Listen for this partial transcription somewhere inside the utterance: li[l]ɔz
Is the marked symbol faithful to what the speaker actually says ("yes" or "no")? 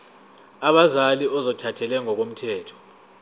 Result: no